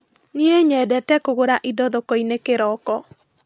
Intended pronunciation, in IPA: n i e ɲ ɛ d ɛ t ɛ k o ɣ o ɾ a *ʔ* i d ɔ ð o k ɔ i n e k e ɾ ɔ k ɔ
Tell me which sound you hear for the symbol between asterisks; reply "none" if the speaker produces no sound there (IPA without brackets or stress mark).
ʔ